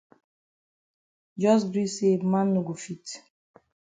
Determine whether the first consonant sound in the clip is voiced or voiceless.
voiced